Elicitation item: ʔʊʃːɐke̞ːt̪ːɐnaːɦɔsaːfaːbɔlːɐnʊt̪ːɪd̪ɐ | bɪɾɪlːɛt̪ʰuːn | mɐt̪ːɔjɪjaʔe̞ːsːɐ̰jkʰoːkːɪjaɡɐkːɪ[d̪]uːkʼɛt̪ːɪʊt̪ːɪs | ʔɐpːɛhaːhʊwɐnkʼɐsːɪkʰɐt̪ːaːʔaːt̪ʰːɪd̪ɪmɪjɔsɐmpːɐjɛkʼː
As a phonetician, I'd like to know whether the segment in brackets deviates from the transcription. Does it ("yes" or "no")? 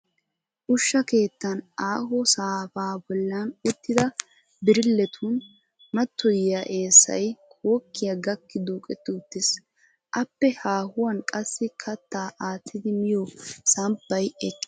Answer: no